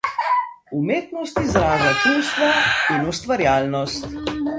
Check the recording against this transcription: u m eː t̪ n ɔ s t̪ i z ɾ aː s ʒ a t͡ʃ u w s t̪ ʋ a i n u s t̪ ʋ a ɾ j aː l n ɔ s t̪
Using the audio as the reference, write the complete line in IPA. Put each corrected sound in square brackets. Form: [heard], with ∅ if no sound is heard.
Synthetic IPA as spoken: u m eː t̪ n ɔ s t̪ i z ɾ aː [∅] ʒ a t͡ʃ u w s t̪ ʋ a i n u s t̪ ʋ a ɾ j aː l n ɔ s t̪